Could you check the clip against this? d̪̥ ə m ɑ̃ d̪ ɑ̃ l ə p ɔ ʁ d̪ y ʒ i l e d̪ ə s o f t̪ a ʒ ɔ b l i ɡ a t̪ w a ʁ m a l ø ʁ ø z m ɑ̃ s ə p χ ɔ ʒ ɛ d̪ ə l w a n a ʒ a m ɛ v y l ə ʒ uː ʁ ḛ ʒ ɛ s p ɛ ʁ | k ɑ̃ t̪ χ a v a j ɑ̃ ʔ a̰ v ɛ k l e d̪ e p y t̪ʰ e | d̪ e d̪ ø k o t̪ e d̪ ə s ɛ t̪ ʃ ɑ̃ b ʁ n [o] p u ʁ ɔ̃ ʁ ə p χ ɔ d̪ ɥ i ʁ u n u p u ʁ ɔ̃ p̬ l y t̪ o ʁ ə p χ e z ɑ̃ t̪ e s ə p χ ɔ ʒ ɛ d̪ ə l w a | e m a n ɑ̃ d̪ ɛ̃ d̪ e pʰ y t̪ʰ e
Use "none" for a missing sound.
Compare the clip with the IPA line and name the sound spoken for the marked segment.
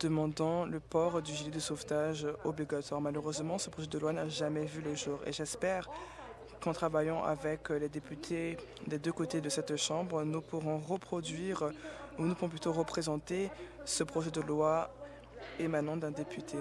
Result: u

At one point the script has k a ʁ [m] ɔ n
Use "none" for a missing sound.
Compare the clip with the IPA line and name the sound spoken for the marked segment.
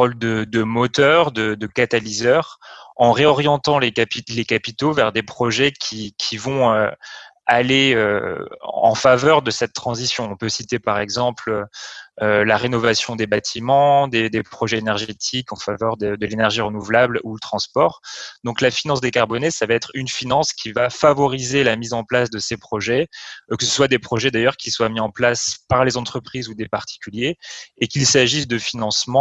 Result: b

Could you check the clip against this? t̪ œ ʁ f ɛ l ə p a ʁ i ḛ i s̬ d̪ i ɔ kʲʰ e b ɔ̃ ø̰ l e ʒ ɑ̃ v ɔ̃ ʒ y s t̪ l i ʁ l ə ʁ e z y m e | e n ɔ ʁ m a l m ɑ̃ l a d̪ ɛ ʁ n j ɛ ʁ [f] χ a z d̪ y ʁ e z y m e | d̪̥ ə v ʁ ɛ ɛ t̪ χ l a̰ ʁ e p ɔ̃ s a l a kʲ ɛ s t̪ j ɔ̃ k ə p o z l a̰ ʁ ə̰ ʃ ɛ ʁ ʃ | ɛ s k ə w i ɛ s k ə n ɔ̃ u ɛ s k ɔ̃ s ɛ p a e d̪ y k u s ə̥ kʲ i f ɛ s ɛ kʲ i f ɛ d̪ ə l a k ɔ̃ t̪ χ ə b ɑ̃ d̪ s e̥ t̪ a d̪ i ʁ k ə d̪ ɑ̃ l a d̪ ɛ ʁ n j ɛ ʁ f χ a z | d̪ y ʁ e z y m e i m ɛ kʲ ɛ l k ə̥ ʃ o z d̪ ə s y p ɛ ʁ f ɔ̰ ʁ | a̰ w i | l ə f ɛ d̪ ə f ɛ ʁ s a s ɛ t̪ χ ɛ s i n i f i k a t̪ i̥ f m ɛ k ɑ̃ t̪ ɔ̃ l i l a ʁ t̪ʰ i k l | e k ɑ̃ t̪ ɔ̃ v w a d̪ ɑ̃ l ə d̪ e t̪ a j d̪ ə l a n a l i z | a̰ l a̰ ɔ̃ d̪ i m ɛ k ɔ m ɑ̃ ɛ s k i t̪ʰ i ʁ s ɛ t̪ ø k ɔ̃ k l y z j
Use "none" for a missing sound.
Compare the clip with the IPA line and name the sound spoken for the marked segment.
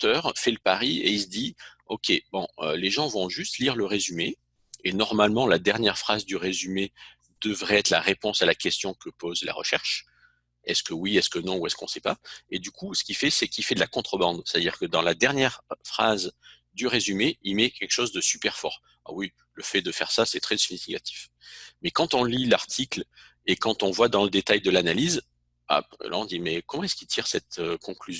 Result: f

